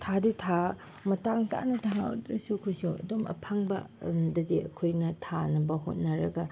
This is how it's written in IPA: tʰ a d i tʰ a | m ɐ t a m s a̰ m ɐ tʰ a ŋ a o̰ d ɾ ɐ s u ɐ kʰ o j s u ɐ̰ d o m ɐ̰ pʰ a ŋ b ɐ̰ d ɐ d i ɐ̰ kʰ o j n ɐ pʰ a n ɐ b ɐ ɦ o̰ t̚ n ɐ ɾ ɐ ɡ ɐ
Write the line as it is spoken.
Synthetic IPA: tʰ a d i tʰ a | m ɐ t a ŋ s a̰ n ɐ tʰ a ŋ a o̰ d ɾ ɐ s u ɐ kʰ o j s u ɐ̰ d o m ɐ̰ pʰ a ŋ b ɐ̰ d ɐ d i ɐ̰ kʰ o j n ɐ tʰ a n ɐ b ɐ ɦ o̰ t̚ n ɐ ɾ ɐ ɡ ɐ